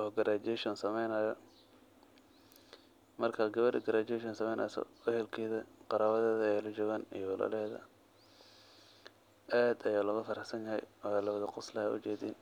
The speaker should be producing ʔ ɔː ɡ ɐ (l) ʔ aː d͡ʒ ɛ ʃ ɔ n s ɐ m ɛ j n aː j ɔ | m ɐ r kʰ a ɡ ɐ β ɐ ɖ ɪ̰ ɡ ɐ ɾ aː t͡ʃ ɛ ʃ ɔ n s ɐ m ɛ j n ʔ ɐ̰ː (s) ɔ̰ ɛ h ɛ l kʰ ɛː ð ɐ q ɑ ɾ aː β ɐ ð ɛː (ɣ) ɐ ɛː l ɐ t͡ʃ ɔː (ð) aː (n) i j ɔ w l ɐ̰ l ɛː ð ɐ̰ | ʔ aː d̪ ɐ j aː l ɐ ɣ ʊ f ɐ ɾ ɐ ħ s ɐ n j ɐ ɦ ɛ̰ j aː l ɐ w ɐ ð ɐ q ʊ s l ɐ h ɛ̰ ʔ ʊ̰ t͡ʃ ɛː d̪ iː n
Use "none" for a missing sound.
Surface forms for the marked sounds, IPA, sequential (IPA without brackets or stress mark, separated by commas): ɾ, s, ð, ɣ, n